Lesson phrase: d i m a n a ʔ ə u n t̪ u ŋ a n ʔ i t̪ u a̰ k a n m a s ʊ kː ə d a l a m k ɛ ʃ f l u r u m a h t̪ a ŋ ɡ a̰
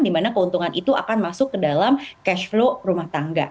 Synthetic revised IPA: d i m a n a k ə u n t̪ u ŋ a n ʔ i t̪ u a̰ k a n m a s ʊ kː ə d a l a m k ɛ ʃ f l o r u m a h t̪ a ŋ ɡ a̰